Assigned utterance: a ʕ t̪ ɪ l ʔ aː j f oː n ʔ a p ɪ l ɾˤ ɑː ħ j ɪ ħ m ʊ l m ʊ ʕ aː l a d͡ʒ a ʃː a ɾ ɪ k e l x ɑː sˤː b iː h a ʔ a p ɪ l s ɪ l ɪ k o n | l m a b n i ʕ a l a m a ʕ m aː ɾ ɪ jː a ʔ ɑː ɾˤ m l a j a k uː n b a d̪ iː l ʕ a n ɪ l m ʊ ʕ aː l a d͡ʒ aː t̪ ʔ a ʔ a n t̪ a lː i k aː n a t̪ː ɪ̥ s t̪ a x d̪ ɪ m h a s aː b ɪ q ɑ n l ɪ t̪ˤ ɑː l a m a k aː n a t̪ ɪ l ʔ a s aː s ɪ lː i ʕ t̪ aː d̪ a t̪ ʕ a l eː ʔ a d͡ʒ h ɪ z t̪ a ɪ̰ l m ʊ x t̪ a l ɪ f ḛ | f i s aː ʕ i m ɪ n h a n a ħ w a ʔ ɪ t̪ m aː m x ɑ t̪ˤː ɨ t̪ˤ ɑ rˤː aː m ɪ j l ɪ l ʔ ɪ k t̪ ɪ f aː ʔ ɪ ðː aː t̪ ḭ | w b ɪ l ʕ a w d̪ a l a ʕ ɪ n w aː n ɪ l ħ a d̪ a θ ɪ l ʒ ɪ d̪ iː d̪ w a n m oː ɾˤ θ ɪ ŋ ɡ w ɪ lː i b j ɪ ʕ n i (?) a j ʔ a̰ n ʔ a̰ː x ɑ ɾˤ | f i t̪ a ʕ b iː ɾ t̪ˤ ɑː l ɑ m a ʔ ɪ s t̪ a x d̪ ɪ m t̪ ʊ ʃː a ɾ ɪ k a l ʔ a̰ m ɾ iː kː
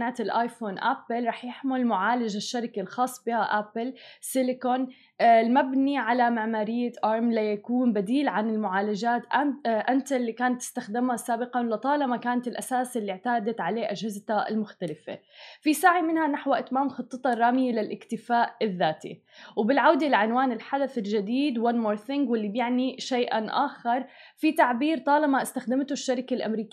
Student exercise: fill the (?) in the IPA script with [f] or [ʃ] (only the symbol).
ʃ